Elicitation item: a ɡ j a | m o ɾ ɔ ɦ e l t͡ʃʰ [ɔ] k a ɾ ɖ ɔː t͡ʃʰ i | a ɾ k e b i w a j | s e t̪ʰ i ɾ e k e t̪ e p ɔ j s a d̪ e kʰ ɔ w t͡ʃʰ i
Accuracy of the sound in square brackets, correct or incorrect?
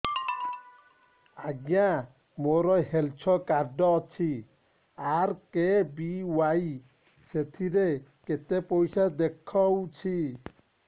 correct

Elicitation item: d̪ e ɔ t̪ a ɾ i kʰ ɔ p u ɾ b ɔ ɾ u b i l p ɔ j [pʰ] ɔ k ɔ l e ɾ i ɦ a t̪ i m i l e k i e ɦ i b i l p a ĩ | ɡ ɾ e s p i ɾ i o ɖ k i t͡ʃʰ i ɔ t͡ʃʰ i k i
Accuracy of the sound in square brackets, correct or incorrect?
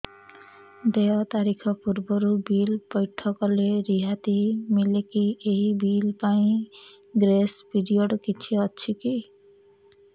incorrect: ʈʰ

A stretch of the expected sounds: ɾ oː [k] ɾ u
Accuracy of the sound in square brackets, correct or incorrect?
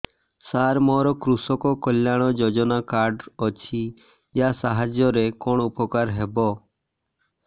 correct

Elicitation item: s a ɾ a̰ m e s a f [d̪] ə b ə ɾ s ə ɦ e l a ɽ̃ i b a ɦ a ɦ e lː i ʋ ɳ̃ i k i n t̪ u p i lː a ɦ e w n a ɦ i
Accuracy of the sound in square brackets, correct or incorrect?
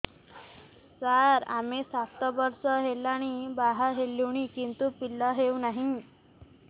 incorrect: t̪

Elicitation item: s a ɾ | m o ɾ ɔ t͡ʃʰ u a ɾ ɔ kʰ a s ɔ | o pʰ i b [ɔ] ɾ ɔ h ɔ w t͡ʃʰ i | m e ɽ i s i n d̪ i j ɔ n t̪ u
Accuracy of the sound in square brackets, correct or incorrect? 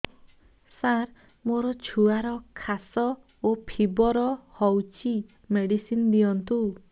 correct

